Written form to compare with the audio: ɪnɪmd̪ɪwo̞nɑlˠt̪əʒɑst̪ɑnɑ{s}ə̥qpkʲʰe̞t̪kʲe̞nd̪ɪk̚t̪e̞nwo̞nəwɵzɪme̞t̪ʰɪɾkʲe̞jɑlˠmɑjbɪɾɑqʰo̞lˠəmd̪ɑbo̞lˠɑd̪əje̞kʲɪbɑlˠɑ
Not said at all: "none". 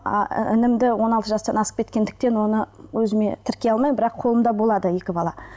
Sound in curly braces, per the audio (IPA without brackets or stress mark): s